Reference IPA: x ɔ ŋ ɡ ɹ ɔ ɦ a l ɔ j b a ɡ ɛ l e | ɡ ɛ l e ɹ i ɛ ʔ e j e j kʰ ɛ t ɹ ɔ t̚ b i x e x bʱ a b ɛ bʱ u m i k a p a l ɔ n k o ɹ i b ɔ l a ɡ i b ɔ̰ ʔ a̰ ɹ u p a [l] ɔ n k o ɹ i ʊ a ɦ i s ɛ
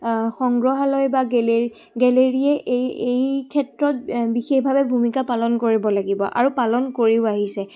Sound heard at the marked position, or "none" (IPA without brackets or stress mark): l